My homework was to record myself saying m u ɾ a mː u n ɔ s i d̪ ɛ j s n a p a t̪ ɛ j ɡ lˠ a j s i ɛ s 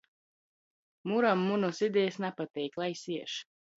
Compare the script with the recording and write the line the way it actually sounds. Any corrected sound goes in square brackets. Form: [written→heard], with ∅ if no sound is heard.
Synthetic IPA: m u ɾ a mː u n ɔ s i d̪ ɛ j s n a p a t̪ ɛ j [ɡ→k] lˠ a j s i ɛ [s→ʃ]